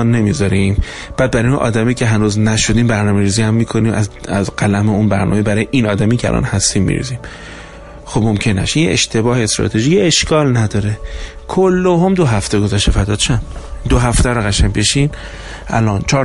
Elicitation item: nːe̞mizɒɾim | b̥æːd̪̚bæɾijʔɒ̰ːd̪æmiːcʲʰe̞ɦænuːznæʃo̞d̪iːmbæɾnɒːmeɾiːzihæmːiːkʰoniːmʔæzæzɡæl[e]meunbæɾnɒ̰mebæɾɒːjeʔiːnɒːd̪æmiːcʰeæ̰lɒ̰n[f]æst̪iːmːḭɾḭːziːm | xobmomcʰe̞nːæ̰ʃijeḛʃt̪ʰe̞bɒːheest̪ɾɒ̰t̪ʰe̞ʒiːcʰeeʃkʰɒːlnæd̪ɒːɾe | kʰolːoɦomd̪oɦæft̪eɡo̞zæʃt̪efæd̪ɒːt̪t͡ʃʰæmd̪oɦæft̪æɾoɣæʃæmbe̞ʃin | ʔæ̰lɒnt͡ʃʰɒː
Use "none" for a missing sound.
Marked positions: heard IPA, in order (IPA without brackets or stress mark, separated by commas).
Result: æ, h